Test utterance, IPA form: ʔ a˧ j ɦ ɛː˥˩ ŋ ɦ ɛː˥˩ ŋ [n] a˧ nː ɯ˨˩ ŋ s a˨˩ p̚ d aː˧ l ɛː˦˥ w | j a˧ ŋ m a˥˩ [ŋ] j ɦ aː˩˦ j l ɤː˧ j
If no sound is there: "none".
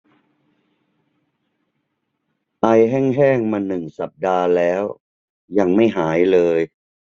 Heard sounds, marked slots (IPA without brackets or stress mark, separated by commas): m, none